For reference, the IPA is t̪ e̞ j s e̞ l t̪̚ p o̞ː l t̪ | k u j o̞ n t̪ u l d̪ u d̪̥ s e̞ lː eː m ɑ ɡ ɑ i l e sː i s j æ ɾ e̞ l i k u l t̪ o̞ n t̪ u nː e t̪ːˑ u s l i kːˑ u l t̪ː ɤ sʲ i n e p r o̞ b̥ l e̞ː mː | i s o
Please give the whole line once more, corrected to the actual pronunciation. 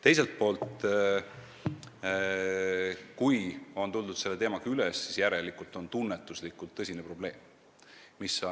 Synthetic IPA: t̪ e̞ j s e̞ l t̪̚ p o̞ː l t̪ | k u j o̞ n t̪ u l d̪ u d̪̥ s e̞ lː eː m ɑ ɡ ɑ y l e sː i s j æ ɾ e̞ l i k u l t̪ o̞ n t̪ u nː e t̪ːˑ u s l i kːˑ u l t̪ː ɤ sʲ i n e p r o̞ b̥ l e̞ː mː | i s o